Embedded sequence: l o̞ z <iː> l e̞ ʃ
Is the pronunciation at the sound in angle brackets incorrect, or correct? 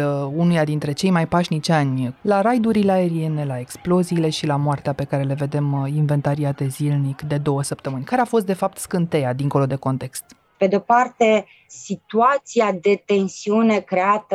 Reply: correct